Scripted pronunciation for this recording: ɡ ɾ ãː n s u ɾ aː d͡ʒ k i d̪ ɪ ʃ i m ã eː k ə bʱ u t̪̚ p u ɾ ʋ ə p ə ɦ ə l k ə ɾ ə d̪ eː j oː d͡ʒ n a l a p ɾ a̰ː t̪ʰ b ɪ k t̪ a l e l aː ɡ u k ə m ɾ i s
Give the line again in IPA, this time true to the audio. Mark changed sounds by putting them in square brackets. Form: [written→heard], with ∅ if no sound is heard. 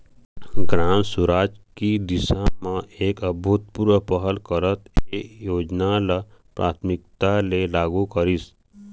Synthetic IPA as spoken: ɡ ɾ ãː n s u ɾ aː d͡ʒ k i d̪ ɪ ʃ [i→a] m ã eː k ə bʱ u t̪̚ p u ɾ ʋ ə p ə ɦ ə l k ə ɾ ə [d̪→t̪] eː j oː d͡ʒ n a l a p ɾ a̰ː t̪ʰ [b→m] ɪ k t̪ a l e l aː ɡ u k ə [m→∅] ɾ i s